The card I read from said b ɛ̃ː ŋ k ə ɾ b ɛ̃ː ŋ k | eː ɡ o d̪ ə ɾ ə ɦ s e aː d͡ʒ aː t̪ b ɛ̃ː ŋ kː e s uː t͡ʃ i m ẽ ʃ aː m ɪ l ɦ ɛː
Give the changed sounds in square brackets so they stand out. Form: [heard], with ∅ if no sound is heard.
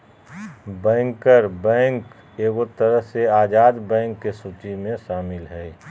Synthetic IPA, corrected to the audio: b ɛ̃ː ŋ k ə ɾ b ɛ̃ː ŋ k | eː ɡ o [t̪] ə ɾ ə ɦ s e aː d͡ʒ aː [d̪] b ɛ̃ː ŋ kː e s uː t͡ʃ i m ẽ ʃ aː m ɪ l ɦ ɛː

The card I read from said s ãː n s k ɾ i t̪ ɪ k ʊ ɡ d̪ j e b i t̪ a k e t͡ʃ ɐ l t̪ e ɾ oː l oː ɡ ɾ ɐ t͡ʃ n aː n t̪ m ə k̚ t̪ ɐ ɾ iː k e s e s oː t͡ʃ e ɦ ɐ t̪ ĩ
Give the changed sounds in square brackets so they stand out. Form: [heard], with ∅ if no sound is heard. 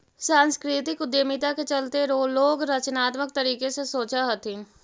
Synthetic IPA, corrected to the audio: s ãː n s k ɾ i t̪ ɪ k ʊ [∅] d̪ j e [m] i t̪ a k e t͡ʃ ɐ l t̪ e ɾ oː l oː ɡ ɾ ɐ t͡ʃ n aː [∅] t̪ m ə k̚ t̪ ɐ ɾ iː k e s e s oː t͡ʃ [a] ɦ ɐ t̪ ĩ

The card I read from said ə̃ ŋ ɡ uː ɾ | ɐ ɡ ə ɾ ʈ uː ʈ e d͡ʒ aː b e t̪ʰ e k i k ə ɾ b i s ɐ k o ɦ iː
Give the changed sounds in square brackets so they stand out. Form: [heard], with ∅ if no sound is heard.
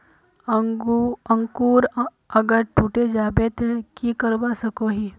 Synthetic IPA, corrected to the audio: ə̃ ŋ [k] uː ɾ | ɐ ɡ ə ɾ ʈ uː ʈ e d͡ʒ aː b e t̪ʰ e k i k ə ɾ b [a] s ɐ k o ɦ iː

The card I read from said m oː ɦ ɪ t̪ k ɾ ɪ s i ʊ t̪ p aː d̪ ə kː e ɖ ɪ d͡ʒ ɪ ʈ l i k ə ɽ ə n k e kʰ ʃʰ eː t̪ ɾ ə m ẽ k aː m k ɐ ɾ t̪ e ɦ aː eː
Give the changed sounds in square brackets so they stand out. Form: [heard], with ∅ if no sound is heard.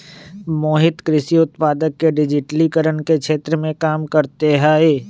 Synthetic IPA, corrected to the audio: m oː ɦ ɪ t̪ k ɾ ɪ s i ʊ t̪ p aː d̪ ə kː e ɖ ɪ d͡ʒ ɪ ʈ l i k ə [ɾ] ə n k e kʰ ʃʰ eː t̪ ɾ ə m ẽ k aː m k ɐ ɾ t̪ e ɦ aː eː

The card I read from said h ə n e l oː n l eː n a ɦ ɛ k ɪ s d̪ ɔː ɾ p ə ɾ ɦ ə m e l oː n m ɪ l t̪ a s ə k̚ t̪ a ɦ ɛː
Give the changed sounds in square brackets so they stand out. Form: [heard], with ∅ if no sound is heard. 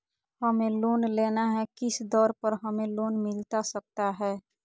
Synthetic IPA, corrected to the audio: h ə [m] e l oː n l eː n a ɦ ɛ k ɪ s d̪ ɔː ɾ p ə ɾ ɦ ə m e l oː n m ɪ l t̪ a s ə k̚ t̪ a ɦ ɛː

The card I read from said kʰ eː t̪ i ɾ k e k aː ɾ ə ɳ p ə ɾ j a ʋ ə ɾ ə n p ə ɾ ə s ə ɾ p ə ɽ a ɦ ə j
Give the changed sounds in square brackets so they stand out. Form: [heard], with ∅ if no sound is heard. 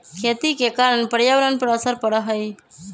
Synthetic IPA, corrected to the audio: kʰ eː t̪ i [∅] k e k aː ɾ ə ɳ p ə ɾ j a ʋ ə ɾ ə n p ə ɾ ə s ə ɾ p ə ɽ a ɦ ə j

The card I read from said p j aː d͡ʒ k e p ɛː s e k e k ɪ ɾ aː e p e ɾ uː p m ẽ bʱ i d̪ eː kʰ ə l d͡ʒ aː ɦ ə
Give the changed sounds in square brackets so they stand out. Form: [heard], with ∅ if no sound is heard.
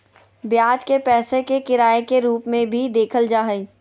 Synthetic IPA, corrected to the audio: [b] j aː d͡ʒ k e p ɛː s e k e k ɪ ɾ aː e [k] e ɾ uː p m ẽ bʱ i d̪ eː kʰ ə l d͡ʒ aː ɦ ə

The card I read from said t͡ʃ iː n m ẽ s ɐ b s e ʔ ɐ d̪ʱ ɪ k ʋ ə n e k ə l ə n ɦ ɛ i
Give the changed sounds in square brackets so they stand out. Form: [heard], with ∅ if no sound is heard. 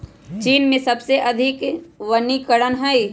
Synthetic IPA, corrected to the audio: t͡ʃ iː n m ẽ s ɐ b s e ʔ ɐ d̪ʱ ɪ k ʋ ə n [i] k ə [ɽ] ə n ɦ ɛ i

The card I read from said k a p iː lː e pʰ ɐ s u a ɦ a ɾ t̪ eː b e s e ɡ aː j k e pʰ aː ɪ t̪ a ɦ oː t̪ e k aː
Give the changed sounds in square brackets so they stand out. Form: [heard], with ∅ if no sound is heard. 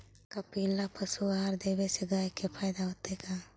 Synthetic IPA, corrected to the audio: k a p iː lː [a] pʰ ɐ s u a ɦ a ɾ [d̪] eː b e s e ɡ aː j k e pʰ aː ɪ [d̪] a ɦ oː t̪ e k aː

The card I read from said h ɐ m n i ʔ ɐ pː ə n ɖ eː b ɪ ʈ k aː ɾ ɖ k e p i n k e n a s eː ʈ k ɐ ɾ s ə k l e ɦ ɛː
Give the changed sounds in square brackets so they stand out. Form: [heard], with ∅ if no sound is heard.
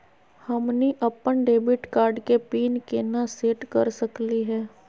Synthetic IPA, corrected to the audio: h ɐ m n i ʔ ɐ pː ə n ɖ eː b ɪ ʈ k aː ɾ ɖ k e p [iː] n k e n a s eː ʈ k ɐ ɾ s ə k l [i] ɦ ɛː

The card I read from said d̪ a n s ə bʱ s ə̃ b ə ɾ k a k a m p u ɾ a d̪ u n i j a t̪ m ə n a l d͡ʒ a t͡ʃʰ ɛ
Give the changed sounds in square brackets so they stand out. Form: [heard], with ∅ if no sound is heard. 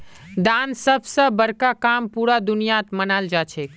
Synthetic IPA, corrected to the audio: d̪ a n s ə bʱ s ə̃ b ə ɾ k a k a m p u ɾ a d̪ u n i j a t̪ m ə n a l d͡ʒ a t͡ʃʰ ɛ

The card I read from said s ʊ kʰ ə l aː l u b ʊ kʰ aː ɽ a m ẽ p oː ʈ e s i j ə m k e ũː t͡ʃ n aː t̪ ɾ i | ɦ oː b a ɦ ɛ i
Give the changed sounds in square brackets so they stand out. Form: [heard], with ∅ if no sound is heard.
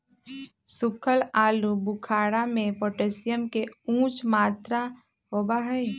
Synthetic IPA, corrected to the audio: s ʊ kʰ ə l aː l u b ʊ kʰ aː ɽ a m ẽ p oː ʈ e s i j ə m k e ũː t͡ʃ [m] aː t̪ ɾ [a] | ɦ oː b a ɦ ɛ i

